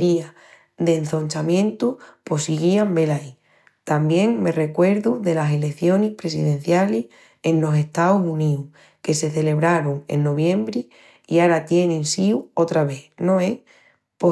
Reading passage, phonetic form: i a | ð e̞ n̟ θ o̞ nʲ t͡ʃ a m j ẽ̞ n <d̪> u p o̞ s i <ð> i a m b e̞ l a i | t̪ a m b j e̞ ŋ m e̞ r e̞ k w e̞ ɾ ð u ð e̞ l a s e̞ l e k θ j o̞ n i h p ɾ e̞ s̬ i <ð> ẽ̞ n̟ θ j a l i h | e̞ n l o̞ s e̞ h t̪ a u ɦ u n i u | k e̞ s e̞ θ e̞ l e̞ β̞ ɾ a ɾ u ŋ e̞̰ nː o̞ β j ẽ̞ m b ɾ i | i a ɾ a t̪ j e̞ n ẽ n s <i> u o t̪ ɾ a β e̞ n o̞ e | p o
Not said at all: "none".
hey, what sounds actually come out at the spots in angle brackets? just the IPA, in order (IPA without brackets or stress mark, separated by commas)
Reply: t̪, ɣ, ð, i